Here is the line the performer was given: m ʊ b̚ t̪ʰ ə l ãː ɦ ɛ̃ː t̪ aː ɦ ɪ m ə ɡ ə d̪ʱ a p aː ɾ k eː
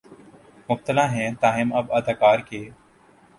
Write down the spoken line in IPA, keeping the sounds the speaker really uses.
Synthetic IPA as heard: m ʊ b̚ t̪ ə l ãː ɦ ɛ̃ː t̪ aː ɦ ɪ m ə b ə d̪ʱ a k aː ɾ k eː